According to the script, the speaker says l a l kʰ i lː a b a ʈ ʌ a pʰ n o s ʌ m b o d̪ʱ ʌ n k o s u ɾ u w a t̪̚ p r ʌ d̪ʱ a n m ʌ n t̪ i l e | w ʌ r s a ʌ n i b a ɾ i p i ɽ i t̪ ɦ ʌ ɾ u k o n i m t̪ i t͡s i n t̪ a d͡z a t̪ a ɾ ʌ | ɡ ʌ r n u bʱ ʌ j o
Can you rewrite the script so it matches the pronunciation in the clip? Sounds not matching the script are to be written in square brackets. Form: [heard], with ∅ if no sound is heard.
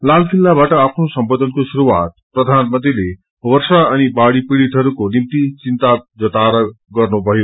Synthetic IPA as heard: l a l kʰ i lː a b a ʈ ʌ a pʰ n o s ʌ m b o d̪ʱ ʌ n k o s u ɾ u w a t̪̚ p r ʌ d̪ʱ a n m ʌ n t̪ i l e | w ʌ r s a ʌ n i b a [ɽ] i p i ɽ i t̪ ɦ ʌ ɾ u k o n i m t̪ i t͡s i n t̪ a d͡z [ʌ] t̪ a ɾ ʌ | ɡ ʌ r n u bʱ ʌ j o